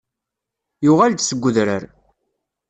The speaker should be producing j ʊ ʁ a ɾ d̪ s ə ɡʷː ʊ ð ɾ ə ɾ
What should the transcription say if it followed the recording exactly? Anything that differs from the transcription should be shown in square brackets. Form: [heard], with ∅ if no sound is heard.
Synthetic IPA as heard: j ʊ ʁ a [l] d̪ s ə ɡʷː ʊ ð ɾ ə ɾ